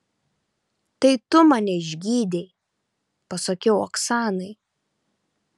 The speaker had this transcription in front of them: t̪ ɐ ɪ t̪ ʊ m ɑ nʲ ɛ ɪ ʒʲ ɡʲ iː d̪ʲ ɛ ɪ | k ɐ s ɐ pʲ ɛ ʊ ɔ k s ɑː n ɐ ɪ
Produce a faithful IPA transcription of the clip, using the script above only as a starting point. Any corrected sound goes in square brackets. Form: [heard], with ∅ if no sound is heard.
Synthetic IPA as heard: t̪ ɐ ɪ t̪ ʊ m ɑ nʲ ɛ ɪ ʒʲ ɡʲ iː d̪ʲ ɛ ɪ | [p] ɐ s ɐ [kʲ] ɛ ʊ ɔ k s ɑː n ɐ ɪ